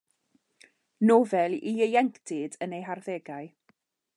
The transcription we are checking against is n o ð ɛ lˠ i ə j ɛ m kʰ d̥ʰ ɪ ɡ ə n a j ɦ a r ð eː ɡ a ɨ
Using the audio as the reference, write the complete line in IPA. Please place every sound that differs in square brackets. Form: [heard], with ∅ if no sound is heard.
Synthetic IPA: n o [v] ɛ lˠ i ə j ɛ [ŋ] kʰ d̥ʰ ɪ [d] ə n [e] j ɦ a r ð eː ɡ a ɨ